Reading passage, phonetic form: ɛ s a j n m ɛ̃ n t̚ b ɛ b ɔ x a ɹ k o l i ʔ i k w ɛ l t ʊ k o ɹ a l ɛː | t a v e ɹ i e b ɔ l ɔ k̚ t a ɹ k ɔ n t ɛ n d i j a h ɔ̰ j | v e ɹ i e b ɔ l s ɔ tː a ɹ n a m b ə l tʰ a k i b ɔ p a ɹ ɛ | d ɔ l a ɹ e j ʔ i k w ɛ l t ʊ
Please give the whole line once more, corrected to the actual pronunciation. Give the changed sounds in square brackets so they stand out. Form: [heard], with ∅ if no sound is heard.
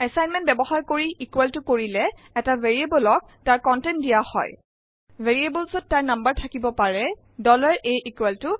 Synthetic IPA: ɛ s a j n m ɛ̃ n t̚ b ɛ b ɔ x a ɹ k o [ɹ] i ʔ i k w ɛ l t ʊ k o ɹ [i] l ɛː | t a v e ɹ i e b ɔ l ɔ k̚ t a ɹ k ɔ n t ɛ n d i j a h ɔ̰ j | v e ɹ i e b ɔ l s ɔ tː a ɹ n a m b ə [ɹ] tʰ a k i b ɔ p a ɹ ɛ | d ɔ l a ɹ e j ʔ i k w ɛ l t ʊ